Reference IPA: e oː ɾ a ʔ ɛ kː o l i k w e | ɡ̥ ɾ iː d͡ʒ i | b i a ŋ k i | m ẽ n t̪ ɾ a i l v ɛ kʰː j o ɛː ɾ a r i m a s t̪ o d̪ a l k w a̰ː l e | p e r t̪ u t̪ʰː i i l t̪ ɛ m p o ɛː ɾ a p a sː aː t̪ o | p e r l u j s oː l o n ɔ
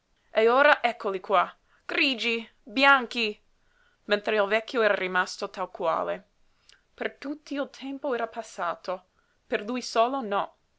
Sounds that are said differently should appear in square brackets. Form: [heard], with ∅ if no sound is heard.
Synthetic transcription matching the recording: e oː ɾ a ʔ ɛ kː o l i k w [a] | ɡ̥ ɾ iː d͡ʒ i | b [j] a ŋ k i | m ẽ n t̪ ɾ [e] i l v ɛ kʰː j o ɛː ɾ a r i m a s t̪ o [t̪] a l k w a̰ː l e | p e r t̪ u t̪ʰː i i l [t̪ʰ] ɛ m p o ɛː ɾ a p a sː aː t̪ o | p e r l u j s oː l o n ɔ